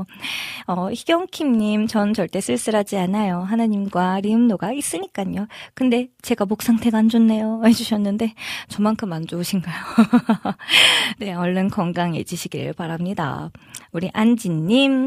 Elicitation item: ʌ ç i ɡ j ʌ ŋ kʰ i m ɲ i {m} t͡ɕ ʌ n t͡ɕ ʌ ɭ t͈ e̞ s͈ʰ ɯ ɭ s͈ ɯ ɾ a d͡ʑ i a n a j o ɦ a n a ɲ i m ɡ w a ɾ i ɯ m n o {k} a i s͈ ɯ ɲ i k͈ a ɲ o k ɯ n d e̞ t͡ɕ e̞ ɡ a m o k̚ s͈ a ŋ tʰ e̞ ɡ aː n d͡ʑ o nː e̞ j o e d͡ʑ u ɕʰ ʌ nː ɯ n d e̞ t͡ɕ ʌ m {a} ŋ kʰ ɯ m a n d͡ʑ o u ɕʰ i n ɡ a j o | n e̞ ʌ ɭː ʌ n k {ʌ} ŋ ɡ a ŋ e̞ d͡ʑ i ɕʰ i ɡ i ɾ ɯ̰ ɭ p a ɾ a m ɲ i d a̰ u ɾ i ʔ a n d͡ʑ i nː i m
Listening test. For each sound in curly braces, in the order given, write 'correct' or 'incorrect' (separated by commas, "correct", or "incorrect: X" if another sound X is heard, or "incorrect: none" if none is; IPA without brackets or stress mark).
correct, incorrect: ɡ, correct, correct